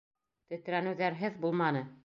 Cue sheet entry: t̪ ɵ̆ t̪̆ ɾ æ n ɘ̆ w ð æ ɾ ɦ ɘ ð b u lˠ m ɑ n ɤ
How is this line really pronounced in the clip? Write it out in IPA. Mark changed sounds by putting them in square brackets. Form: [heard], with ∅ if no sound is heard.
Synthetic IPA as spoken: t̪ ɵ̆ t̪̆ ɾ æ n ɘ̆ w ð æ ɾ ɦ ɘ ð b u lˠ m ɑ n ɤ